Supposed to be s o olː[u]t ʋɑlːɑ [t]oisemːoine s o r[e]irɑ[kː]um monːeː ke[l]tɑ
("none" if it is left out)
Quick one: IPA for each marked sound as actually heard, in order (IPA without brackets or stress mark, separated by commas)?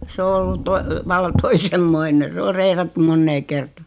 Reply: u, t, e, tː, r